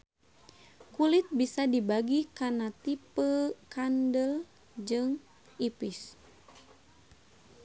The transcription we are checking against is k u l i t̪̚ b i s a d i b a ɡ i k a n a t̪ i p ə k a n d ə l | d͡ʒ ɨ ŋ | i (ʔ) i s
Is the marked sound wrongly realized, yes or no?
yes